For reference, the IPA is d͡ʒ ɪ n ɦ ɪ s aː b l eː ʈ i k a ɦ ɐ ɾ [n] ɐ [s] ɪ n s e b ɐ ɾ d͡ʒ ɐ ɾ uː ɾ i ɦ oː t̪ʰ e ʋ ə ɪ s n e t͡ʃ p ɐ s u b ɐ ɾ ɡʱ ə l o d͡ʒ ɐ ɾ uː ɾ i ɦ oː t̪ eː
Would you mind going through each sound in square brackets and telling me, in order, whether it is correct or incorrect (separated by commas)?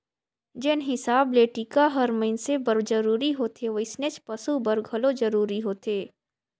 incorrect, incorrect